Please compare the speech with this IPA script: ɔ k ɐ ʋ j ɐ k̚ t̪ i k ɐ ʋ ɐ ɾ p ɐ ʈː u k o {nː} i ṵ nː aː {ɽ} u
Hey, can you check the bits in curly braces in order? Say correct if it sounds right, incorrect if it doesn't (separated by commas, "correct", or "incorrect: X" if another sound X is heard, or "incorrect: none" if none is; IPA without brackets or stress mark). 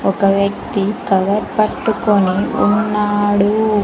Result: incorrect: n, correct